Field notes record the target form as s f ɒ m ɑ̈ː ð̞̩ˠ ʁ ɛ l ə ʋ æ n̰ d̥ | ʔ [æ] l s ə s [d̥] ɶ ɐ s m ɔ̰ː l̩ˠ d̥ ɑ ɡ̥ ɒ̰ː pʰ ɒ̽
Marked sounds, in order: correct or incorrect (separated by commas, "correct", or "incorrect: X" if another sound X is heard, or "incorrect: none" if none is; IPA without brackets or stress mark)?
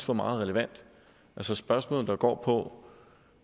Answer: correct, incorrect: b̥